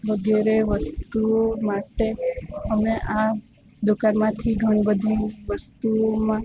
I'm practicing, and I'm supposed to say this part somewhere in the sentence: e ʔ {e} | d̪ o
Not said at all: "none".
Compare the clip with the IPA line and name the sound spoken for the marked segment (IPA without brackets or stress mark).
a